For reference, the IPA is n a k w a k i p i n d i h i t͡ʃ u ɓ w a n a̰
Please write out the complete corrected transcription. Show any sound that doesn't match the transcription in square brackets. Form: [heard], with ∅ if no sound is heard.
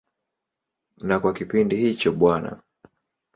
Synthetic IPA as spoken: n a k w a k i p i n d i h i t͡ʃ [ɔ] ɓ w a n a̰